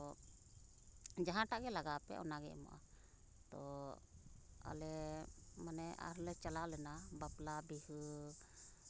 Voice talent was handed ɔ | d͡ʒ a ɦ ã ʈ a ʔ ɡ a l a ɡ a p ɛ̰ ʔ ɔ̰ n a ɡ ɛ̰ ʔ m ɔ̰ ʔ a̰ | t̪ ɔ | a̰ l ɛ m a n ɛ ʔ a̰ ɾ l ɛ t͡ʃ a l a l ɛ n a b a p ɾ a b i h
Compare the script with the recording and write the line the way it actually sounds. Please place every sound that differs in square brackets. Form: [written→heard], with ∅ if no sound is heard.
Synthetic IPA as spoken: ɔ | d͡ʒ a ɦ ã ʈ a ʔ ɡ [a→ɛ] l a ɡ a p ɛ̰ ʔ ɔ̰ n a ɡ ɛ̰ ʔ m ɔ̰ ʔ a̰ | t̪ ɔ | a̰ l ɛ m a n ɛ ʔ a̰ ɾ l ɛ t͡ʃ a l a l ɛ n a b a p [ɾ→l] a b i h